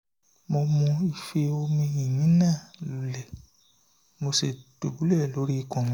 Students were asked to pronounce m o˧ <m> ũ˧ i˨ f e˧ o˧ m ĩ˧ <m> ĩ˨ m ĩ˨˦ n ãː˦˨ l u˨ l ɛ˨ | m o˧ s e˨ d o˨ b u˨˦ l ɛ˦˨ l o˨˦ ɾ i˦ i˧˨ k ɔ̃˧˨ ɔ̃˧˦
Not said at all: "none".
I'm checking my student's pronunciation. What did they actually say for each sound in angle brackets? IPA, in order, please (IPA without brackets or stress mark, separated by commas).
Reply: m, none